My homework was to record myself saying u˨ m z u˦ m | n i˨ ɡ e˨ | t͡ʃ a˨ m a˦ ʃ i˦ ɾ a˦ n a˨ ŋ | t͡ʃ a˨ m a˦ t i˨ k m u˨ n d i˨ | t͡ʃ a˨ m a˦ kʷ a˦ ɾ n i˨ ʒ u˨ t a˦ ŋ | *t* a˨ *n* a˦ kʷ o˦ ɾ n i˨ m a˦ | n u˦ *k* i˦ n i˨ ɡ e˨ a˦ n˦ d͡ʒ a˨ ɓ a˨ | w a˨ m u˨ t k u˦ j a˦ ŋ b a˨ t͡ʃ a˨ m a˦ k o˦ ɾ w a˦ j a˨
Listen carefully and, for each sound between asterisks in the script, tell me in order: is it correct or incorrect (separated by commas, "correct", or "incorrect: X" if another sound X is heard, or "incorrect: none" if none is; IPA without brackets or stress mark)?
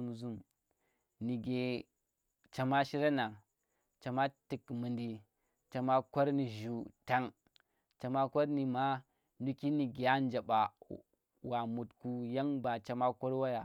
incorrect: t͡ʃ, incorrect: m, correct